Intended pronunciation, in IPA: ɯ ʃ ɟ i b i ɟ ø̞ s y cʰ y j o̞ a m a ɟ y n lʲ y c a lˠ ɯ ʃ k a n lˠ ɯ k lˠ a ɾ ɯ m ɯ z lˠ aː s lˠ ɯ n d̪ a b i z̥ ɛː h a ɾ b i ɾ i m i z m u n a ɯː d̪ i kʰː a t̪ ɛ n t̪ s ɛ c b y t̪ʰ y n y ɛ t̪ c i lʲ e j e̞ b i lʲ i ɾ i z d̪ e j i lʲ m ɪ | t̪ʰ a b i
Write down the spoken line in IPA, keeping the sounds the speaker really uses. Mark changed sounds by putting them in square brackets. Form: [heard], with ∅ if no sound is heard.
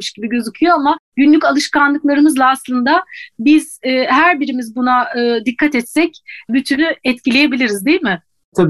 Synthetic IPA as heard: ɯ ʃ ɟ i b i ɟ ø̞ [z] y cʰ y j o̞ a m a ɟ y n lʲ y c a lˠ ɯ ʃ k a n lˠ ɯ k lˠ a ɾ ɯ m ɯ z lˠ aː s lˠ ɯ n d̪ a b i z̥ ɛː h [æ] ɾ b i ɾ i m i z [b] u n a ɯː d̪ i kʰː a t̪ ɛ [∅] t̪ s ɛ c b y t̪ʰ y n y ɛ t̪ c i lʲ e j e̞ b i lʲ i ɾ i z d̪ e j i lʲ m ɪ | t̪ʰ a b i